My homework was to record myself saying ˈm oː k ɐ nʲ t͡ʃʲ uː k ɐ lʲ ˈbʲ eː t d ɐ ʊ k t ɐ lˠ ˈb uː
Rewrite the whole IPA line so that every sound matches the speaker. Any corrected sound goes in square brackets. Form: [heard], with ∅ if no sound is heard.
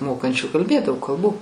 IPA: ˈm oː k ɐ nʲ t͡ʃʲ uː k ɐ lʲ ˈbʲ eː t d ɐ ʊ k [k] ɐ lˠ ˈb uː

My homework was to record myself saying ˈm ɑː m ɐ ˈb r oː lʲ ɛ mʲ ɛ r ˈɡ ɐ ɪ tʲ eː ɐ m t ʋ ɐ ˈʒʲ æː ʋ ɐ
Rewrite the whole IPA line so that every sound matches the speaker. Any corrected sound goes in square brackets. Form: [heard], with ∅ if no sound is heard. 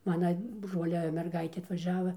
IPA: ˈm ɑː [n] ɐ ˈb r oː lʲ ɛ mʲ ɛ r ˈɡ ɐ ɪ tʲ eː ɐ [∅] t ʋ ɐ ˈʒʲ æː ʋ ɐ

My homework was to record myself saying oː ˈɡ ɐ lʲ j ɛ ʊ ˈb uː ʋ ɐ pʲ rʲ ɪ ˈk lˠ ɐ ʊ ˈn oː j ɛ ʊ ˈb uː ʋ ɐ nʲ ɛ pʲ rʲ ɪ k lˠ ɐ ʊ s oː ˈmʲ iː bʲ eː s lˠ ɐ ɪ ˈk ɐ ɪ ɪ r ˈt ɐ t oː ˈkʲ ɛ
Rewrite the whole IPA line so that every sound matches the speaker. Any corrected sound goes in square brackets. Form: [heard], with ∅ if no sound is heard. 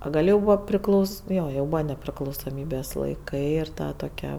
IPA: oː ˈɡ ɐ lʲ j ɛ ʊ ˈb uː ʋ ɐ pʲ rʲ ɪ ˈk lˠ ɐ ʊ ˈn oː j ɛ ʊ ˈb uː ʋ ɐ nʲ ɛ pʲ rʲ ɪ k lˠ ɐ ʊ s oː ˈmʲ iː bʲ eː s lˠ ɐ ɪ ˈk ɐ ɪ ɪ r ˈt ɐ t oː ˈkʲ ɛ

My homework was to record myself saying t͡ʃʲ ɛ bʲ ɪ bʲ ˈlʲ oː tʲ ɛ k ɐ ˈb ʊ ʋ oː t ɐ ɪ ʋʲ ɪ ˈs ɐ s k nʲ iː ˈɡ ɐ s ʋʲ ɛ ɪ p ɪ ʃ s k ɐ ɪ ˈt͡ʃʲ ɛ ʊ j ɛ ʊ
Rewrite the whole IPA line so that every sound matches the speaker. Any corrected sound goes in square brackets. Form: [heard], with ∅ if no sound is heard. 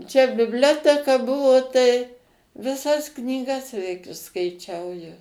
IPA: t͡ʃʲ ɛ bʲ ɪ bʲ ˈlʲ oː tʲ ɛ k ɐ ˈb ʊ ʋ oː t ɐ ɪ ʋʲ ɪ ˈs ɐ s k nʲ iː ˈɡ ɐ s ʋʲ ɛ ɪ [k] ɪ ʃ s k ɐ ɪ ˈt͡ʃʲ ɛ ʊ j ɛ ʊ

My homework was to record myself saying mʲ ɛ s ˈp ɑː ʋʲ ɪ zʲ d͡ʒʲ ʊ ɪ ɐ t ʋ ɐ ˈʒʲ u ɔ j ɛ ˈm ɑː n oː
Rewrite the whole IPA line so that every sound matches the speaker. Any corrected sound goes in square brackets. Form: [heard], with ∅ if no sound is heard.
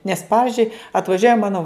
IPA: [nʲ] ɛ s ˈp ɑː ʋʲ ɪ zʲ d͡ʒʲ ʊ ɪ ɐ t ʋ ɐ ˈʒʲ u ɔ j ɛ ˈm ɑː n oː

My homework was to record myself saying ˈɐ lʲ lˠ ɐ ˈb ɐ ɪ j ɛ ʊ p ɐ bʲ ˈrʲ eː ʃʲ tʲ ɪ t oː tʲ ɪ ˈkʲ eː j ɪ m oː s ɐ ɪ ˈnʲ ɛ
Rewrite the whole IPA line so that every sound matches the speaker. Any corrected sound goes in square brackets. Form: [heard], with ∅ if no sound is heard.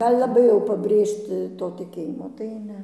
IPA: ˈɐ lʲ lˠ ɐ ˈb ɐ ɪ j ɛ ʊ p ɐ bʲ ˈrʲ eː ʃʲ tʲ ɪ t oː tʲ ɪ ˈkʲ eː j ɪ m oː [t] ɐ ɪ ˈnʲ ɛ

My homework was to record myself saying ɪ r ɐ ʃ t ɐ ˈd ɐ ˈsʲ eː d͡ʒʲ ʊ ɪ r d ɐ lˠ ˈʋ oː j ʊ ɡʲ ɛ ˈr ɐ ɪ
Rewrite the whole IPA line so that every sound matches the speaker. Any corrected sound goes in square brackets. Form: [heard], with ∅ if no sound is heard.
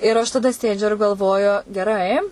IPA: ɪ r ɐ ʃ t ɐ ˈd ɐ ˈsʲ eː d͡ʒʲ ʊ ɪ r [ɡ] ɐ lˠ ˈʋ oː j ʊ ɡʲ ɛ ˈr ɐ ɪ

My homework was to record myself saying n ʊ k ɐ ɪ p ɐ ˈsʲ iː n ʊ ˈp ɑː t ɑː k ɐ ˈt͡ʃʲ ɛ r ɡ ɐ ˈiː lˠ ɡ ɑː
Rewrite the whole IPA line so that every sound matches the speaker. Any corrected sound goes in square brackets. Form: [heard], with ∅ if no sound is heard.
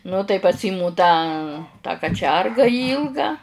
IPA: n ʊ [t] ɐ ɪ p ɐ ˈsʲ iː [m] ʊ [ˈt] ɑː t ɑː k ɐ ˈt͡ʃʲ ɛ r ɡ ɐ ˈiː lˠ ɡ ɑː

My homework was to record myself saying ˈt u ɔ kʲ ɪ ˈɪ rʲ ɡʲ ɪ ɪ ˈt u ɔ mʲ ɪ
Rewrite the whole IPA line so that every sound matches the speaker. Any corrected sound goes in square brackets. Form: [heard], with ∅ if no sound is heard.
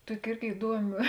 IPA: ˈt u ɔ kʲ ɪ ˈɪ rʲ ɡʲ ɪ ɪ [ˈd] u ɔ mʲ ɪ

